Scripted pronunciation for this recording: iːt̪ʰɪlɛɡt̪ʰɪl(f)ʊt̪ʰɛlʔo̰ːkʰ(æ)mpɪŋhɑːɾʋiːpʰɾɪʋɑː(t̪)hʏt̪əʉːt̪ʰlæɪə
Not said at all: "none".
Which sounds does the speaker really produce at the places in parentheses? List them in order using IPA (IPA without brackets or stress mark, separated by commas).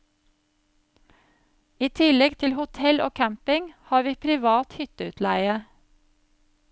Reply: h, æ, t̪